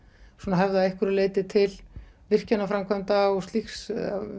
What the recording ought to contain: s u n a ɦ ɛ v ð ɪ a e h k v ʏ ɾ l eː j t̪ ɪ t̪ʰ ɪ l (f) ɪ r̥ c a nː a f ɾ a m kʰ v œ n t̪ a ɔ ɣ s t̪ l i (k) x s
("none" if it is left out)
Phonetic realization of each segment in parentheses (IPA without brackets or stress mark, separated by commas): v, none